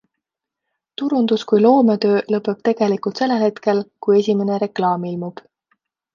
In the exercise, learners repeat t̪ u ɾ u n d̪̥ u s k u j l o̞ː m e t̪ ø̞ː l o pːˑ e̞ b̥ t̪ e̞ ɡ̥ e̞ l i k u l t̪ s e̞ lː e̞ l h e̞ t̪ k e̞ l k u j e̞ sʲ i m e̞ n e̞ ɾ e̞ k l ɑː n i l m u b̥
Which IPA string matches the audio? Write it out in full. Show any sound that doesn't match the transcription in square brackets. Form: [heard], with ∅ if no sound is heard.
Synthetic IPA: t̪ u ɾ u n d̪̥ u s k u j l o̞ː m e t̪ ø̞ː l [ɤ] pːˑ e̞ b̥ t̪ e̞ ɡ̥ e̞ l i k u l t̪ s e̞ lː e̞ l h e̞ t̪ k e̞ l k u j e̞ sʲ i m e̞ n e̞ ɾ e̞ k l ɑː [m] i l m u b̥